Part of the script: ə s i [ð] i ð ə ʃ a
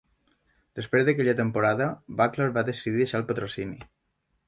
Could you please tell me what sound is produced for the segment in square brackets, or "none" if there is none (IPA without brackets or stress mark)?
ð